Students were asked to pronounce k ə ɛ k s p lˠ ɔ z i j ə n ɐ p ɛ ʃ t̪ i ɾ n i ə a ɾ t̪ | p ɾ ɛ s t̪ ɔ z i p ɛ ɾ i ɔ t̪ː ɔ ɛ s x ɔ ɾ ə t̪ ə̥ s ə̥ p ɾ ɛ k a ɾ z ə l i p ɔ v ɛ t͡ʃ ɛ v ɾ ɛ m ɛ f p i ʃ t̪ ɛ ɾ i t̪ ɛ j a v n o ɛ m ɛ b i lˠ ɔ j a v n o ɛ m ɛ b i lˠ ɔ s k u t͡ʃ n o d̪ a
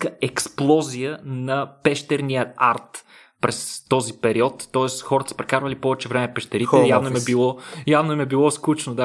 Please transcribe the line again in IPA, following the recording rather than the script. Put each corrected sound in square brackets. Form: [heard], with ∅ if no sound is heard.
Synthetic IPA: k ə ɛ k s p lˠ ɔ z i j ə n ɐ p ɛ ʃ t̪ [ɛ] ɾ n i ə a ɾ t̪ | p ɾ ɛ s t̪ ɔ z i p ɛ ɾ i ɔ t̪ː ɔ ɛ s x ɔ ɾ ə t̪ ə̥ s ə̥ p ɾ ɛ k a ɾ [v] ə l i p ɔ v ɛ t͡ʃ ɛ v ɾ ɛ m ɛ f p [ɛ] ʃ t̪ ɛ ɾ i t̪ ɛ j a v n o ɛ m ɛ b i lˠ ɔ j a v n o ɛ m ɛ b i lˠ ɔ s k u t͡ʃ n o d̪ a